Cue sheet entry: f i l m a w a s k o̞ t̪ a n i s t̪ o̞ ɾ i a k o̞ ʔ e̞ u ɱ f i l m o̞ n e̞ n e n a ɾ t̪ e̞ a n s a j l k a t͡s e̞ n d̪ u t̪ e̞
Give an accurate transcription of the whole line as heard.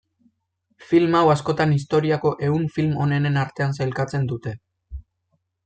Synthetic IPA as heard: f i l m a w a s k o̞ t̪ a n i s t̪ o̞ ɾ i a k o̞ ʔ e̞ u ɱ f i l m o̞ n e̞ n e n a ɾ t̪ e̞ a n s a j l k a t͡s e̞ n d̪ u t̪ e̞